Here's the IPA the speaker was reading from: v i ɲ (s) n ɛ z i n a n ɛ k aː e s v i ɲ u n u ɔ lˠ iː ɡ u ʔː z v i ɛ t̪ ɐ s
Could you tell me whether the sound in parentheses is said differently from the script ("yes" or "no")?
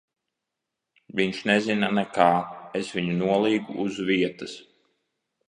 yes